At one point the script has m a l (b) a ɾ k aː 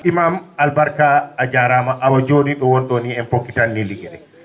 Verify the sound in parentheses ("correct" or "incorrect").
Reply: correct